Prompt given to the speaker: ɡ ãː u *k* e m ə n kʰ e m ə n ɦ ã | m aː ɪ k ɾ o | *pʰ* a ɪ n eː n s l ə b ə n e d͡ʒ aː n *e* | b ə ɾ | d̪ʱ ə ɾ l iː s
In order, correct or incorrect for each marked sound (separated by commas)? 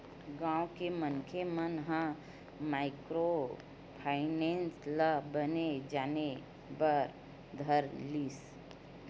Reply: correct, correct, correct